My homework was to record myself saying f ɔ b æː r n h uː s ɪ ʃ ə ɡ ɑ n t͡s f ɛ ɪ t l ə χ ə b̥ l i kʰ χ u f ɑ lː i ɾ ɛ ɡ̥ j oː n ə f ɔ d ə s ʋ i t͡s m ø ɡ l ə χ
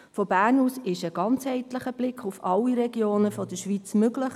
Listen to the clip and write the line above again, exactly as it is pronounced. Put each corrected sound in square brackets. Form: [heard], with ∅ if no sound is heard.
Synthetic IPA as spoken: f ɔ b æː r n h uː s ɪ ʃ ə ɡ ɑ n t͡s [h] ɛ ɪ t l ə χ ə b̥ l [ɪ] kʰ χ u f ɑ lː i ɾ ɛ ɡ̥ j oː n ə f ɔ d ə [ʃ] ʋ i t͡s m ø ɡ l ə χ